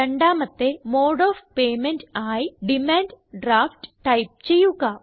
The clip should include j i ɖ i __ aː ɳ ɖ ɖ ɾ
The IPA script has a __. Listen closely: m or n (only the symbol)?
m